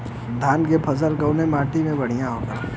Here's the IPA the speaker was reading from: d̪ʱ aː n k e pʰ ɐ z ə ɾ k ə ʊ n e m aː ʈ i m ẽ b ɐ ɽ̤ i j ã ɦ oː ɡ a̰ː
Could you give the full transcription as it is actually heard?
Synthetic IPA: d̪ʱ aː n k e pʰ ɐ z ə l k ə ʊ n e m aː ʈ i m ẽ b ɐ ɽ̤ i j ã ɦ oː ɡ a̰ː

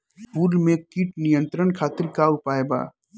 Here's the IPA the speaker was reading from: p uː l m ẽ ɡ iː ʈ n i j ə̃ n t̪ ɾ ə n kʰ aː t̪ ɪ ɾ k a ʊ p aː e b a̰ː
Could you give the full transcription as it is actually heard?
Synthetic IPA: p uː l m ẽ k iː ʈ n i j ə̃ n t̪ ɾ ə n kʰ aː t̪ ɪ ɾ k a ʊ p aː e b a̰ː

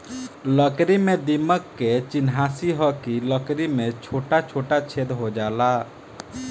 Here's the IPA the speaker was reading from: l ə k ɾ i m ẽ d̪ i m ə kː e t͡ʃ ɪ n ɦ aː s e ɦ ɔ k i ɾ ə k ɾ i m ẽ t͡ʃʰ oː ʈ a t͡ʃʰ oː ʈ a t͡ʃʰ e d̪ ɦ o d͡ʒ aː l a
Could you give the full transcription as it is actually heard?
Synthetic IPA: l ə k ɾ i m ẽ d̪ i m ə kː e t͡ʃ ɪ n ɦ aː s i ɦ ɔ k i l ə k ɾ i m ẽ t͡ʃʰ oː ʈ a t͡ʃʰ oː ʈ a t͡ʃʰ e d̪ ɦ o d͡ʒ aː l a

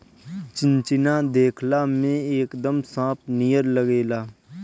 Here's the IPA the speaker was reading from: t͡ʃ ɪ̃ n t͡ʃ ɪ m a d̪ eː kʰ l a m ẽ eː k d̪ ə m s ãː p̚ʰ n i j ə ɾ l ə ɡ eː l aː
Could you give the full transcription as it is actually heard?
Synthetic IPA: t͡ʃ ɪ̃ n t͡ʃ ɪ n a d̪ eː kʰ l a m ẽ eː k d̪ ə m s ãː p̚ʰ n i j ə ɾ l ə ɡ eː l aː

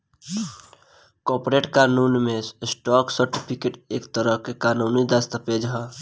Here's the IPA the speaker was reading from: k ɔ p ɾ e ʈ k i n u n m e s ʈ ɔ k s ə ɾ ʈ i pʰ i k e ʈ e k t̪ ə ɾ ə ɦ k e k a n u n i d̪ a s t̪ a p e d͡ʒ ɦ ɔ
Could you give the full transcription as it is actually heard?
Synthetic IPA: k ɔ p ɾ e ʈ k a n u n m e s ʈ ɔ k s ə ɾ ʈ i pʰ i k e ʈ e k t̪ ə ɾ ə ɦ k e k a n u n i d̪ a s t̪ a p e d͡ʒ ɦ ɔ

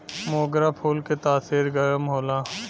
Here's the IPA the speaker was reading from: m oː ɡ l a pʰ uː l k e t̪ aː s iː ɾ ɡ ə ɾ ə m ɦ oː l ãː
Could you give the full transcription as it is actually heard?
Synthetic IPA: m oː ɡ ɾ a pʰ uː l k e t̪ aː s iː ɾ ɡ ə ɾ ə m ɦ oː l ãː

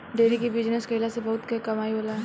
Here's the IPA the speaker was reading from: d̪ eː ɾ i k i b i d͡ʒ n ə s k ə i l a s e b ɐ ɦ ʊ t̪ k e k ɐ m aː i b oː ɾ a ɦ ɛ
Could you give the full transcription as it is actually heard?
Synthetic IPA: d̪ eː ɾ i k i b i d͡ʒ n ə s k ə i l a s e b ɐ ɦ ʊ t̪ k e k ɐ m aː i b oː l a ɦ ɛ

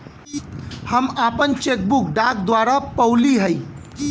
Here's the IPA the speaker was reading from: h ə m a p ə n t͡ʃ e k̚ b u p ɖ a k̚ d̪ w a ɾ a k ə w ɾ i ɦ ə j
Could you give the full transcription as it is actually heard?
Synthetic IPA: h ə m a p ə n t͡ʃ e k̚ b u k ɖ a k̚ d̪ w a ɾ a p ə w l i ɦ ə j

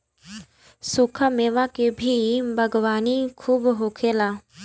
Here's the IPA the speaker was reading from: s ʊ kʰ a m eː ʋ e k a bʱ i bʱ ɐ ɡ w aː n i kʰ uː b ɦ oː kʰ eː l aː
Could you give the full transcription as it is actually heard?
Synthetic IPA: s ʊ kʰ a m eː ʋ a k e bʱ i bʱ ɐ ɡ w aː n i kʰ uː b ɦ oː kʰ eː l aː

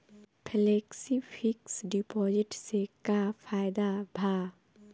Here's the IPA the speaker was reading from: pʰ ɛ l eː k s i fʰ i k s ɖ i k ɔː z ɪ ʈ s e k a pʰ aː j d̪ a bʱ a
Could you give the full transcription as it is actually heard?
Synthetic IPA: pʰ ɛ l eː k s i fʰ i k s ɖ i p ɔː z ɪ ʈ s e k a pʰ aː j d̪ a bʱ a

